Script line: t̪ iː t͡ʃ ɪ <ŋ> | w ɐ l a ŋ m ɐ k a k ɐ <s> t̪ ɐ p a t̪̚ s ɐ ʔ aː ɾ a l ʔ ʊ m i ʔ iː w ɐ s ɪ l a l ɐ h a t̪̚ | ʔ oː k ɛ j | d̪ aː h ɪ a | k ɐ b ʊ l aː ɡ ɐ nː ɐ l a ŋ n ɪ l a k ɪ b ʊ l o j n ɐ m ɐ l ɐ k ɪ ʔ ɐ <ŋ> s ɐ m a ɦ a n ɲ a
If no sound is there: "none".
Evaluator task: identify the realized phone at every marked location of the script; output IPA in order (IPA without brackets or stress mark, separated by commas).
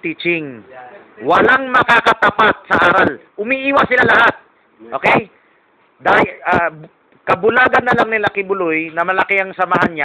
ŋ, none, ŋ